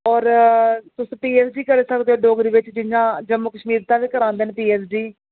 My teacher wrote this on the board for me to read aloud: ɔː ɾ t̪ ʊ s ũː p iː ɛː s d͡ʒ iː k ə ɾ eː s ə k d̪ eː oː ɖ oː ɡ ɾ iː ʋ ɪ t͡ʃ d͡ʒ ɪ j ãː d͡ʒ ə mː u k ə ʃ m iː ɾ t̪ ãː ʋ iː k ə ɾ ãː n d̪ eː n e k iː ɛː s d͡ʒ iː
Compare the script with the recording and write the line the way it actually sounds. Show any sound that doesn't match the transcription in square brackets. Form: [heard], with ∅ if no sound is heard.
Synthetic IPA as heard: ɔː ɾ t̪ ʊ s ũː p iː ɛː s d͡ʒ iː k ə ɾ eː s ə k d̪ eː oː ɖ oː ɡ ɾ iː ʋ ɪ t͡ʃ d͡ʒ ɪ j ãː d͡ʒ ə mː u k ə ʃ m iː ɾ t̪ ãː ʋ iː k ə ɾ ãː n d̪ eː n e [p] iː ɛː s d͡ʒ iː